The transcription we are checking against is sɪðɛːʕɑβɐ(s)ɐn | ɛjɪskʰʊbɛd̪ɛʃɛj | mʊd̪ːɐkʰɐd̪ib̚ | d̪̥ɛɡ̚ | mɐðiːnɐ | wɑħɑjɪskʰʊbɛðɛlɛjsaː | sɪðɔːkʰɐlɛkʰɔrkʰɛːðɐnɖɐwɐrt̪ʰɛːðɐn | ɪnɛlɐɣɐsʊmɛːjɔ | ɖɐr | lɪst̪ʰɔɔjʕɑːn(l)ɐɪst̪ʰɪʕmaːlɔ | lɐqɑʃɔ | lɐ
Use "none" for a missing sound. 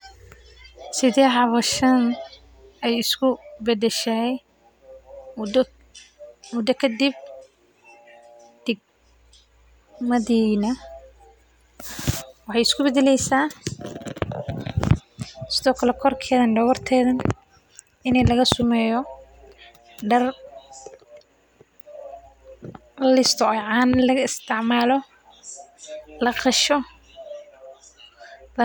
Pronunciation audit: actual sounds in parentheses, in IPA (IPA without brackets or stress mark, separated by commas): ʃ, l